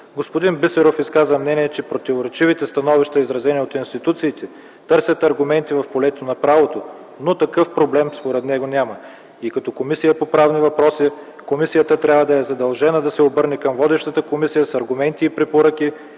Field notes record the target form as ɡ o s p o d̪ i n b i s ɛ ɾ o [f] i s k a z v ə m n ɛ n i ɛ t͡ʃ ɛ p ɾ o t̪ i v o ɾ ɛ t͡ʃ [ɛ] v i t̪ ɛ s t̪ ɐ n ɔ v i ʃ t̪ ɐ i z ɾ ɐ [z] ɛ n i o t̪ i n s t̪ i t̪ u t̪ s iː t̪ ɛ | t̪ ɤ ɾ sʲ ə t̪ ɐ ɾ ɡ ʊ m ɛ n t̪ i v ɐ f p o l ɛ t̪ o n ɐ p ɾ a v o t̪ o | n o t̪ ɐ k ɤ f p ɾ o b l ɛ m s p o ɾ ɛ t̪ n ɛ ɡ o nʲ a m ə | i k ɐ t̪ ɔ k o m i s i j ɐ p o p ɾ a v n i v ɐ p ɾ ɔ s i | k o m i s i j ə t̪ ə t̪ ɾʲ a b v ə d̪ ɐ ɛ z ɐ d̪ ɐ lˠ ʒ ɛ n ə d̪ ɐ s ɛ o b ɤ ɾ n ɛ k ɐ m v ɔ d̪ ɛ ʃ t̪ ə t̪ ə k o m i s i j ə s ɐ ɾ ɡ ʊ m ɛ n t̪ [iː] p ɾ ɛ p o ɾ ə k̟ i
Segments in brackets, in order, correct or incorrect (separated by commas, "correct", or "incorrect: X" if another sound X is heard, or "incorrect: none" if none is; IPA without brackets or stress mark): correct, incorrect: i, correct, correct